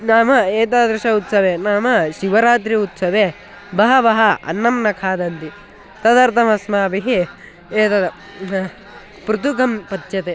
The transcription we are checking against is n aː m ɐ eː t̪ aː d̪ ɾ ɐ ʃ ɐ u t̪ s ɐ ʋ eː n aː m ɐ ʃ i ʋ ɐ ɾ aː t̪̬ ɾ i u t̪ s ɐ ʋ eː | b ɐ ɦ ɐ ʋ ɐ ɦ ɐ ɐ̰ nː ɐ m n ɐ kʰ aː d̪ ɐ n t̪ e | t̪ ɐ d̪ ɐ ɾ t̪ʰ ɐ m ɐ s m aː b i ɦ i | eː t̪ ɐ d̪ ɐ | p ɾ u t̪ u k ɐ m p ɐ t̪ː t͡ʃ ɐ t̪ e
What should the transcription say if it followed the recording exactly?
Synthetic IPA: n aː m ɐ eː t̪ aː d̪ ɾ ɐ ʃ ɐ u t̪ s ɐ ʋ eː n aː m ɐ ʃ i ʋ ɐ ɾ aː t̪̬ ɾ i u t̪ s ɐ ʋ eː | b ɐ ɦ ɐ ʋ ɐ ɦ ɐ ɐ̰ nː ɐ m n ɐ kʰ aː d̪ ɐ n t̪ i | t̪ ɐ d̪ ɐ ɾ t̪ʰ ɐ m ɐ s m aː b i ɦ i | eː t̪ ɐ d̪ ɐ | p ɾ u t̪ u k ɐ m p ɐ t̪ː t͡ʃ ɐ t̪ e